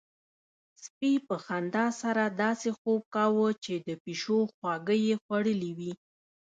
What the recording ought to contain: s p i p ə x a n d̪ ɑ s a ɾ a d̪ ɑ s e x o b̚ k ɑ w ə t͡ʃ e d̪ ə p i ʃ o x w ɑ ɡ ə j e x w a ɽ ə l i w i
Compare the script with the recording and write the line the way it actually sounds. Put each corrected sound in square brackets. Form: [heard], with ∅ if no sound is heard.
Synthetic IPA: s p i p ə x a n d̪ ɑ s a ɾ a d̪ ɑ s e x o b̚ k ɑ w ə t͡ʃ e d̪ ə p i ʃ o x w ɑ ɡ ə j e x w a ɽ ə l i w i